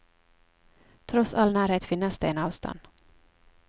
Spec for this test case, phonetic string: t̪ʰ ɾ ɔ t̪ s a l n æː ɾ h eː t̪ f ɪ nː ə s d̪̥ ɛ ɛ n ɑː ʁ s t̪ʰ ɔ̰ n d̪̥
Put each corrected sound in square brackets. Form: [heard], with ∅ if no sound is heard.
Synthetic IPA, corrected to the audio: t̪ʰ ɾ ɔ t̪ s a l n æː ɾ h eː t̪ f ɪ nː [a] s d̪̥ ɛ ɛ n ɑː [v] s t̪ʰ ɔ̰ n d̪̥

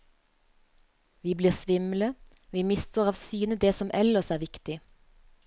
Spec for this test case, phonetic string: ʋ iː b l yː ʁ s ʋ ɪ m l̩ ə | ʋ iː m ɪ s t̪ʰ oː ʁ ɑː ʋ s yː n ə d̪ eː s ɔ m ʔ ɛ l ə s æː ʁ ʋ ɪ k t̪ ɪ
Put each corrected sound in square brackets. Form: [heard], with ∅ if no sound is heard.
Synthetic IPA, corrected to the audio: ʋ iː b l [iː] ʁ s ʋ ɪ m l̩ ə | ʋ iː m ɪ s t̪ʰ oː ʁ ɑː ʋ s yː n ə d̪ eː s ɔ m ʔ ɛ l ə s æː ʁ ʋ ɪ k t̪ ɪ

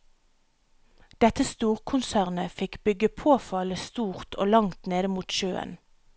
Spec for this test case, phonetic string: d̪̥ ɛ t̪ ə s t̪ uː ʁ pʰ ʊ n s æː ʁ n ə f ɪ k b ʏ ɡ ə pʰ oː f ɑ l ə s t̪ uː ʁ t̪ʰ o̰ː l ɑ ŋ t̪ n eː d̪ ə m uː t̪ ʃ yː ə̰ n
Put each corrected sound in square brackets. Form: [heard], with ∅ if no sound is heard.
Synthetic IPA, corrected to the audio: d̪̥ ɛ t̪ ə s t̪ uː ʁ [kʰ] ʊ n s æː ʁ n ə f ɪ k b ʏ ɡ ə pʰ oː f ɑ l ə s t̪ uː ʁ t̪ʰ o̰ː l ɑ ŋ t̪ n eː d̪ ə m uː t̪ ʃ [øː] ə̰ n

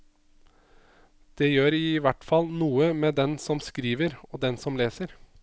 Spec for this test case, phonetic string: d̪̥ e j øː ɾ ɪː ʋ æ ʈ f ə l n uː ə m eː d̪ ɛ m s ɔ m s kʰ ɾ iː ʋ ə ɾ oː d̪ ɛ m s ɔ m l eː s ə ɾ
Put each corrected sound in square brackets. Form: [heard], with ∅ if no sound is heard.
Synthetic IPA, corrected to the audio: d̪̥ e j øː ɾ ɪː ʋ æ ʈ f [ɑ] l n uː ə m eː d̪ ɛ [n] s ɔ m s [k] ɾ iː ʋ ə ɾ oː d̪ ɛ [n] s ɔ m l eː s ə ɾ

